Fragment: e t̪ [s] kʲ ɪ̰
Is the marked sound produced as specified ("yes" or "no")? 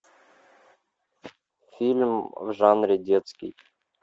yes